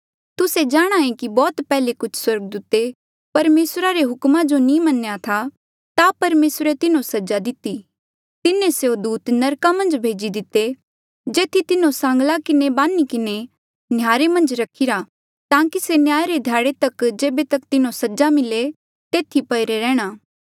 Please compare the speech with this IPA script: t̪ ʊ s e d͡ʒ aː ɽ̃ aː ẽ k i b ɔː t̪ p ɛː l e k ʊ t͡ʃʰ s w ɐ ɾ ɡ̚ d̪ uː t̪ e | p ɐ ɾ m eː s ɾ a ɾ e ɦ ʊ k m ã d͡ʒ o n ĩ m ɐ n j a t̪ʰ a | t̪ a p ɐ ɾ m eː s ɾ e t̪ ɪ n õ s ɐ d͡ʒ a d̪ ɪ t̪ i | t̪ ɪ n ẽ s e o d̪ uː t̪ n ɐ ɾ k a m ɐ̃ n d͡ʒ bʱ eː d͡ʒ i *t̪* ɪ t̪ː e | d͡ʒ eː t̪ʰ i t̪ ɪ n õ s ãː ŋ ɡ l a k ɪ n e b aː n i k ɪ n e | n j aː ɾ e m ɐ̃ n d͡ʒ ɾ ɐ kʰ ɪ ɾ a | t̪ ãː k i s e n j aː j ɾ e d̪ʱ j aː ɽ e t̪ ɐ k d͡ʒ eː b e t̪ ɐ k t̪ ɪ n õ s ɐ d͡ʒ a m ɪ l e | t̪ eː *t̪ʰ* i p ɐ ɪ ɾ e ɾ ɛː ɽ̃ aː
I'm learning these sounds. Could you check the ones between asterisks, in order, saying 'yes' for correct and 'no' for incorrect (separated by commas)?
no, yes